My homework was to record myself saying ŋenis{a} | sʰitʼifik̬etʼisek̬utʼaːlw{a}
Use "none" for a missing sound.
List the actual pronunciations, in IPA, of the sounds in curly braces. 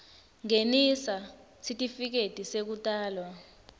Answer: a, a

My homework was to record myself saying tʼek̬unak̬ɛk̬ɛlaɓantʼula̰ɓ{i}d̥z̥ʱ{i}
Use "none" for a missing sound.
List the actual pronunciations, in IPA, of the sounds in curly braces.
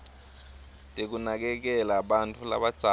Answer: a, a

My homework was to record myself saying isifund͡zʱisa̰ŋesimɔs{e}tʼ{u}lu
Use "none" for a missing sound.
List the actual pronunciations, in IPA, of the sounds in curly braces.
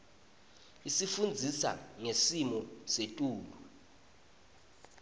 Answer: e, uː

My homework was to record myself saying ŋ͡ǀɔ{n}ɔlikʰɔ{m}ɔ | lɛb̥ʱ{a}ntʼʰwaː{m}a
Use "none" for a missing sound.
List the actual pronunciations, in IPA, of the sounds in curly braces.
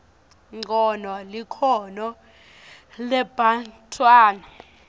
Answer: n, n, a, n

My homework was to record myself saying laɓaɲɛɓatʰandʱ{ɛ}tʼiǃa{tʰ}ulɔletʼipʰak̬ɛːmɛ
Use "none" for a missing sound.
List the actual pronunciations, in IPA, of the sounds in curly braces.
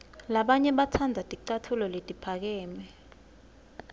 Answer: a, tʰ

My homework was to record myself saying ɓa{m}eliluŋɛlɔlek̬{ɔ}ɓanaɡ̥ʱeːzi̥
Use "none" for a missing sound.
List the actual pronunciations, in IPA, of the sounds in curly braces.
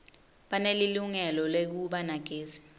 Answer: n, u

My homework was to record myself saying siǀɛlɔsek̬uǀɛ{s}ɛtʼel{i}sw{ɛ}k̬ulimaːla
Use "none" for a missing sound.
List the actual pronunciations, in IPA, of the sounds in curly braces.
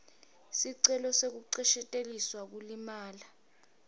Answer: ʃ, i, a

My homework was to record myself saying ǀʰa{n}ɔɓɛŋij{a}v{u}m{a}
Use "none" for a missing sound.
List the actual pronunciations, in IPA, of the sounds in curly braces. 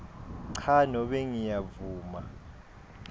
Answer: n, a, uː, a

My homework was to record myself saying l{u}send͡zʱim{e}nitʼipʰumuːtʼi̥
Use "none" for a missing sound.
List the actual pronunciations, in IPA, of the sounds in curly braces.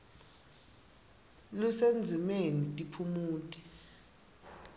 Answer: u, e

